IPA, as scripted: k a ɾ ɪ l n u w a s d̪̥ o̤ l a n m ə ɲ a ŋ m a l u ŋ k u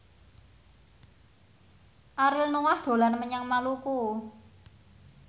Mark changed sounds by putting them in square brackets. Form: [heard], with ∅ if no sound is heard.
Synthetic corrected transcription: [ʔ] a ɾ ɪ l n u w a [h] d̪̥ o̤ l a n m ə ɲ a ŋ m a l u [∅] k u